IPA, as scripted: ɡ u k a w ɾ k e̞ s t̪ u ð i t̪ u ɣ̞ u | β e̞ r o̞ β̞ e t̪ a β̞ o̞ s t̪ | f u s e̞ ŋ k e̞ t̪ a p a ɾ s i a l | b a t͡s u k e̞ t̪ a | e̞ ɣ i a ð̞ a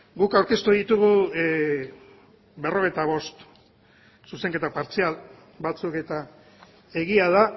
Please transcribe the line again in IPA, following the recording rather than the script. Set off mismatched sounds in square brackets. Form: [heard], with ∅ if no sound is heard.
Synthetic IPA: ɡ u k a w ɾ k e̞ s t̪ u ð i t̪ u ɣ̞ u | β e̞ r o̞ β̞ e t̪ a β̞ o̞ s t̪ | [s] u s e̞ ŋ k e̞ t̪ a p a ɾ [t͡s] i a l | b a t͡s u k e̞ t̪ a | e̞ ɣ i a ð̞ a